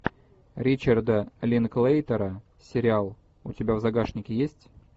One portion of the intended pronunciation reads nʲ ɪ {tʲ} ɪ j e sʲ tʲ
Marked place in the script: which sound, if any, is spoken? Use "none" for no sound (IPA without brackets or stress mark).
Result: kʲ